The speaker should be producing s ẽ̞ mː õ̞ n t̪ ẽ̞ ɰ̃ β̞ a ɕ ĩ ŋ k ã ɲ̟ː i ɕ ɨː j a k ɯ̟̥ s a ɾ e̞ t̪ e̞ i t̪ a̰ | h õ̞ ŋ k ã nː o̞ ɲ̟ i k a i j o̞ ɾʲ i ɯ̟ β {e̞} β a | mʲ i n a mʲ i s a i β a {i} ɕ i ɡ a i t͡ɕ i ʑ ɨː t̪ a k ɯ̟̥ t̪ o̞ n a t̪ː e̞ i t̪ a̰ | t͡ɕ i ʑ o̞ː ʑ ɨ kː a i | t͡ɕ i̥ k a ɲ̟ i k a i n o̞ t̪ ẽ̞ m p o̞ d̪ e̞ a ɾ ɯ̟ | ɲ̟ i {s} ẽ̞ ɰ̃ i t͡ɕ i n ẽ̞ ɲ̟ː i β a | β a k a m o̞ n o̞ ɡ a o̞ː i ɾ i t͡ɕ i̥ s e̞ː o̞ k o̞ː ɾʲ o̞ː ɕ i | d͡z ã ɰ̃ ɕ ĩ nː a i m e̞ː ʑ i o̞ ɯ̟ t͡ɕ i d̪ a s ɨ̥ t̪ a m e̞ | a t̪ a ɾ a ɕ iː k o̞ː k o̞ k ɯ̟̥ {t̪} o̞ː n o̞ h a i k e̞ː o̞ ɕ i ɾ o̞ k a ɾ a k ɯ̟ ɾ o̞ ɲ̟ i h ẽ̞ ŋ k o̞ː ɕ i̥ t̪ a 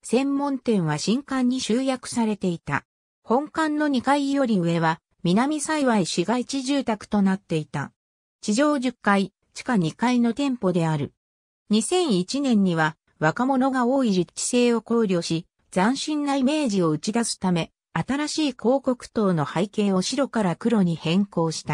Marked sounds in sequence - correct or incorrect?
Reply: correct, correct, correct, correct

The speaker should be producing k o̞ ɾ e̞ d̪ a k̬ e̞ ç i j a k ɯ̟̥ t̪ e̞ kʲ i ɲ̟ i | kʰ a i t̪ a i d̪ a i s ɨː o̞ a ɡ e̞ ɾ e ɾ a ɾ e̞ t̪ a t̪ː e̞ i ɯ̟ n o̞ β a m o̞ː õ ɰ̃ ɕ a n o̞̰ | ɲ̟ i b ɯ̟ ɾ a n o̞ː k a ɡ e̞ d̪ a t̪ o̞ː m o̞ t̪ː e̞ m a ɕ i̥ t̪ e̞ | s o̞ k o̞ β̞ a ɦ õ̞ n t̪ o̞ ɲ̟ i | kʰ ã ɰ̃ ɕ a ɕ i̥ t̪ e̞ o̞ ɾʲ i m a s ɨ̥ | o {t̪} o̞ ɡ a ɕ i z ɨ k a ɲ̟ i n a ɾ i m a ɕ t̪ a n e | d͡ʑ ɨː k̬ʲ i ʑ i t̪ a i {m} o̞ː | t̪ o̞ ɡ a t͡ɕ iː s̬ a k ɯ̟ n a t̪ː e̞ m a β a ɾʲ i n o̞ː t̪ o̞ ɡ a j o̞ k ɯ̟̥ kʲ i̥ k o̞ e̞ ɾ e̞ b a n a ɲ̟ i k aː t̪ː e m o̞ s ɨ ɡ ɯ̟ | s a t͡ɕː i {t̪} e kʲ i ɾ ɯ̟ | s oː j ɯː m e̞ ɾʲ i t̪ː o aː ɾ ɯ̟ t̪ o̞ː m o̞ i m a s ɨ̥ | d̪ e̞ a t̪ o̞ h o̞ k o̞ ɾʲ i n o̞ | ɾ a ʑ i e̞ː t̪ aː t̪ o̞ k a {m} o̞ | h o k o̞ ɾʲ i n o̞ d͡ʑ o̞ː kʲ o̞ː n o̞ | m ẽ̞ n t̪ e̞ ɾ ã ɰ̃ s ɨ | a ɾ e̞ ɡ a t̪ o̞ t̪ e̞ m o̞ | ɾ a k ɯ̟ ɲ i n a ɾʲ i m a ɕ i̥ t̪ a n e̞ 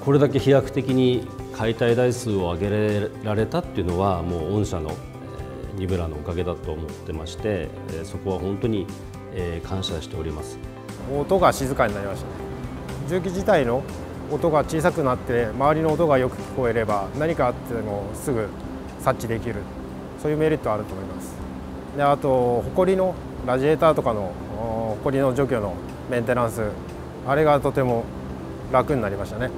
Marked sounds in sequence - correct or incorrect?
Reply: correct, incorrect, incorrect, incorrect

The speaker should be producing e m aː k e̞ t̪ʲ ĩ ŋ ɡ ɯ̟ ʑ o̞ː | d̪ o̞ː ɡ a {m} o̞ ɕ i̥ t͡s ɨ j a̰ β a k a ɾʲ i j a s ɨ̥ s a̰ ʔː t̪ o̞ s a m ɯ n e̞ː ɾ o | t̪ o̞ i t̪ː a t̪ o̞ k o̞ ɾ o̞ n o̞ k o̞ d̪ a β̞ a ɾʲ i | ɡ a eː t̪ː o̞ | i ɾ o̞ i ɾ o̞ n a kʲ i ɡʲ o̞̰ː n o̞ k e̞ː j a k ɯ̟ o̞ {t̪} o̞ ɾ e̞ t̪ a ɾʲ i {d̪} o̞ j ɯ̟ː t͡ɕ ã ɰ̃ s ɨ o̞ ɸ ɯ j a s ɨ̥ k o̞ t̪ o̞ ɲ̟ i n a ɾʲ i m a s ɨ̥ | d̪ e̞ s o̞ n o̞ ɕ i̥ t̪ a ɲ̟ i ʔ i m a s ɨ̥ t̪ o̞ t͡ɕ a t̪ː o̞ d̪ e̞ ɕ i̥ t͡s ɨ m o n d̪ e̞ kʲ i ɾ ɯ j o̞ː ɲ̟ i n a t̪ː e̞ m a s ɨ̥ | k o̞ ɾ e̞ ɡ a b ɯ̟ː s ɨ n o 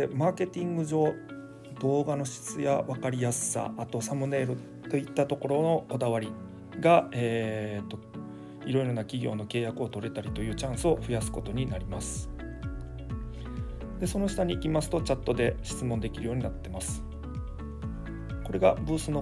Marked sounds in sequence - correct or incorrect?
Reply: incorrect, correct, incorrect

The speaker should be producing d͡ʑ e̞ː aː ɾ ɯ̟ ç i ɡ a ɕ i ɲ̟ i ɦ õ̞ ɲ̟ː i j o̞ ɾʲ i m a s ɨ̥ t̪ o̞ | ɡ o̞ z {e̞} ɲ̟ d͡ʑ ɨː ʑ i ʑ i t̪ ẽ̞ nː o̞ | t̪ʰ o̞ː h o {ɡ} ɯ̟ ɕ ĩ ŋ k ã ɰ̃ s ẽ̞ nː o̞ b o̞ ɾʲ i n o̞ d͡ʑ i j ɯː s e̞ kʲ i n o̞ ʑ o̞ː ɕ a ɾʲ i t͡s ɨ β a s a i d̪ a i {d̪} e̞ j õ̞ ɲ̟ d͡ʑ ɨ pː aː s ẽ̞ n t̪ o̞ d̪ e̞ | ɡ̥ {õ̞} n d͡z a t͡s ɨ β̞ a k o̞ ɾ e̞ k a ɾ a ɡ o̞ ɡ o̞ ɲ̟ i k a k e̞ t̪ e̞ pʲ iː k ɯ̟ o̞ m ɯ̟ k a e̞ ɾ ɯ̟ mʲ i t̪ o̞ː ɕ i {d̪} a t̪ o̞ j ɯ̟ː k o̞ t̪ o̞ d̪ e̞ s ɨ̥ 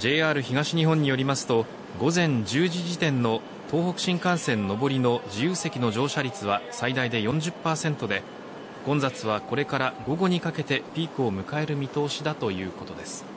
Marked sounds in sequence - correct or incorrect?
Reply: incorrect, incorrect, correct, correct, correct

